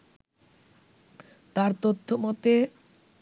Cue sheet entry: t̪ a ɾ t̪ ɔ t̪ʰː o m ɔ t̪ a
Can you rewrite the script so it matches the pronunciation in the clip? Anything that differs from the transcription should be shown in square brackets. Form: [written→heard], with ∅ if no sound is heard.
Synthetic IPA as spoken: t̪ a ɾ t̪ [ɔ→o] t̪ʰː o m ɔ t̪ [a→e]